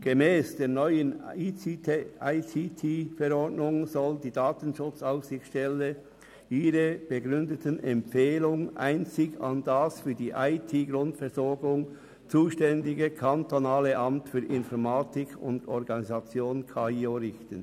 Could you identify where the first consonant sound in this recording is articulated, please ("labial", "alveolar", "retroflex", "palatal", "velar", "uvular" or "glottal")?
velar